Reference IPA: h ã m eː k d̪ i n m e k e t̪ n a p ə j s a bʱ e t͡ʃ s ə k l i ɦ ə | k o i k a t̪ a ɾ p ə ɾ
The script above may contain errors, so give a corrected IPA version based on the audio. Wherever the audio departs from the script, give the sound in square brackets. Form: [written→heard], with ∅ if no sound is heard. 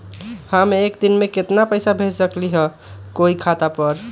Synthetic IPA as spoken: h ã m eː k d̪ i n m e k e t̪ n a p ə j s a bʱ e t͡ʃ s ə k l i ɦ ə | k o i [k→kʰ] a t̪ a [ɾ→∅] p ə ɾ